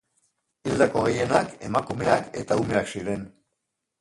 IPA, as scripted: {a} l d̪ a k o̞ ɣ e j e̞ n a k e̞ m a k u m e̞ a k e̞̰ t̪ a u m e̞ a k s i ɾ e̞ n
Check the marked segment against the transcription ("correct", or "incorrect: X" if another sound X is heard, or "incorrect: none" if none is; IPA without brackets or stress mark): incorrect: i